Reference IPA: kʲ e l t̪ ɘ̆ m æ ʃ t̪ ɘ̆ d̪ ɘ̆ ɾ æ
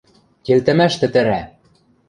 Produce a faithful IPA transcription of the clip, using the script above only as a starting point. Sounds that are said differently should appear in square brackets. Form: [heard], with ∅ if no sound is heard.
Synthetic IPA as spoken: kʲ e l t̪ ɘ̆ m æ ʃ t̪ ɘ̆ [t̪] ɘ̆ ɾ æ

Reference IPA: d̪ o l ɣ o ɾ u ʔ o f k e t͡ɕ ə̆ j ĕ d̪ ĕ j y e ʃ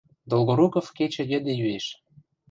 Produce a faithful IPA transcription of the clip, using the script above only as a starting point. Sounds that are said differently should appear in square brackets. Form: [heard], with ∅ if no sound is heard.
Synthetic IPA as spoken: d̪ o l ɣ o ɾ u [k] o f k e t͡ɕ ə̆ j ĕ d̪ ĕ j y e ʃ

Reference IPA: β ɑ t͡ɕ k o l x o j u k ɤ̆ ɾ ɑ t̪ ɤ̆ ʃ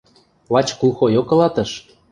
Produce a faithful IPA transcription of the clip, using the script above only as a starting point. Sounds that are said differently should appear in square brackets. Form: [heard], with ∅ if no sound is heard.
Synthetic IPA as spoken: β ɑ t͡ɕ k [u] l x o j [o] k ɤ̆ [l] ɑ t̪ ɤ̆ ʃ

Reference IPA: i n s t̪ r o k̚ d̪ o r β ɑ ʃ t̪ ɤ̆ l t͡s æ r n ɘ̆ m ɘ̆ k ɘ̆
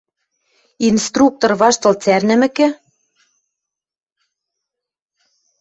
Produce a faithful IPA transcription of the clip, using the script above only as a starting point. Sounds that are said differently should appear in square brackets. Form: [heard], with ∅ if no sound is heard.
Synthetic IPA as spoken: i n s t̪ r [u] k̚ [t̪] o r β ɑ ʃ t̪ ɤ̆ l t͡s æ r n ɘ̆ m ɘ̆ k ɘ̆

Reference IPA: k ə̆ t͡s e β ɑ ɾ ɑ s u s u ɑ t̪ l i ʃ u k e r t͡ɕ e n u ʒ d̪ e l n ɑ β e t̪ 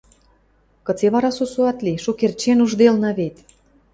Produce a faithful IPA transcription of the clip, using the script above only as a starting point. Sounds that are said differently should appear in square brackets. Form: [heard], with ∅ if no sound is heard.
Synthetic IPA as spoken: k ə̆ t͡s e β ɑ ɾ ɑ s u s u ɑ t̪ l i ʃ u k e r t͡ɕ e n u ʒ d̪ e l n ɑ β e t̪

